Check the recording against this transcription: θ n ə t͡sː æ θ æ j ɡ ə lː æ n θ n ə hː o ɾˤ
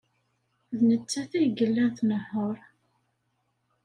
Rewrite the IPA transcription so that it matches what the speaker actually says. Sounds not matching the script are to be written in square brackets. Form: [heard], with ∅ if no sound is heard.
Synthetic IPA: [ð] n ə t͡sː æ θ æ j ɡ ə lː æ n θ n ə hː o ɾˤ